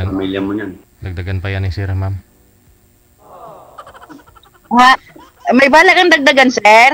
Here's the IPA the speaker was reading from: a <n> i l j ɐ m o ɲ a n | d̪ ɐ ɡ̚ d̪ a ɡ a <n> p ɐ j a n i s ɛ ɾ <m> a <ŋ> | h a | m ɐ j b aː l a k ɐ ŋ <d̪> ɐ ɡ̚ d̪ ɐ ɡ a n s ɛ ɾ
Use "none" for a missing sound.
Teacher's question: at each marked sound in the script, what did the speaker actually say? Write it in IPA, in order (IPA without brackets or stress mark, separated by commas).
m, n, m, m, d̪